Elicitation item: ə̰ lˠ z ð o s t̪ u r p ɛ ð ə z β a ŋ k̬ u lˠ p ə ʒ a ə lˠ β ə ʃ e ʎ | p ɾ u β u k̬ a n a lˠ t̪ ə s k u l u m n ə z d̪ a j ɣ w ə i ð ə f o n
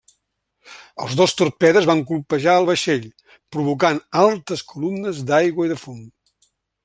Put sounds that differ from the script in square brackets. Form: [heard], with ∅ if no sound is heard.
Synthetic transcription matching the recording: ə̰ lˠ z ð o s t̪ u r p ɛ ð ə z β a ŋ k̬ u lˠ p ə ʒ a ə lˠ β ə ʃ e ʎ | p ɾ u β u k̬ a n a lˠ t̪ ə s k u l u m n ə z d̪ a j ɣ w ə i ð ə f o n